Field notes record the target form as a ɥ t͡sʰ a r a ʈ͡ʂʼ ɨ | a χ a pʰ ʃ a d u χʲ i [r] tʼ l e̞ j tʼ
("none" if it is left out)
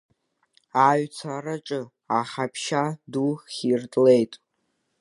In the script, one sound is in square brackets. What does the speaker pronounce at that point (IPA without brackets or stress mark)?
r